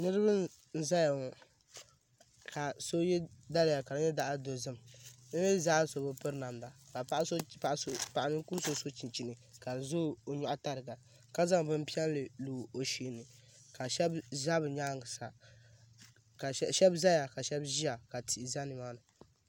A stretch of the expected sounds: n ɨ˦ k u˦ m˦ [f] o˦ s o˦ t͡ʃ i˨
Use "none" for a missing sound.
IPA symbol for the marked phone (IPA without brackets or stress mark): s